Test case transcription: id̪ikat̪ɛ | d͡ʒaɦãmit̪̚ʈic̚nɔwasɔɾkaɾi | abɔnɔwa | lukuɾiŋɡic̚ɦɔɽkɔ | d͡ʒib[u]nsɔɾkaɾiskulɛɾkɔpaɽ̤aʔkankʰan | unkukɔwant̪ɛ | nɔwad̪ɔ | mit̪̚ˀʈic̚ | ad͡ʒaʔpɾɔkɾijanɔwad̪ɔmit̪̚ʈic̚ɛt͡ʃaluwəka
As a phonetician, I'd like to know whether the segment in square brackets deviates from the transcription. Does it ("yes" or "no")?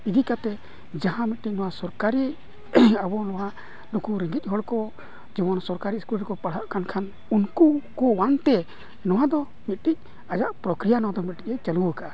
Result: yes